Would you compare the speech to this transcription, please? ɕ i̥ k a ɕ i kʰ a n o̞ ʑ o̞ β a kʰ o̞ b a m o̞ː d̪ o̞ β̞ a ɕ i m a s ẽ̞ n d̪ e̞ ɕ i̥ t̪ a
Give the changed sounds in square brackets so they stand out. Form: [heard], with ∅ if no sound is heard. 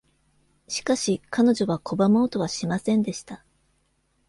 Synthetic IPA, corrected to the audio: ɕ i̥ k a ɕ i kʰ a n o̞ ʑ o̞ β a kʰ o̞ b a m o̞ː [t̪] o̞ β̞ a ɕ i m a s ẽ̞ n d̪ e̞ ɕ i̥ t̪ a